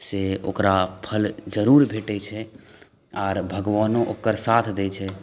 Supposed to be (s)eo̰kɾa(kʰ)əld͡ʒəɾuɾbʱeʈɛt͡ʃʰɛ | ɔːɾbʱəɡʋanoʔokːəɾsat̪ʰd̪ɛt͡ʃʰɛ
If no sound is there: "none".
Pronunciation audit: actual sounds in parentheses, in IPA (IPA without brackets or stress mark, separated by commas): s, pʰ